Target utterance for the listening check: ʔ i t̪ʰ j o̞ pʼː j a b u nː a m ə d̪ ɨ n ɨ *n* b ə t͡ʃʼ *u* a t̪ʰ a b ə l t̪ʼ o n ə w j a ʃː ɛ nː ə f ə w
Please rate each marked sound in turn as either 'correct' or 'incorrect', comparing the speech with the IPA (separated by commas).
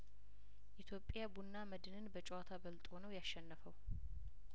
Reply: correct, incorrect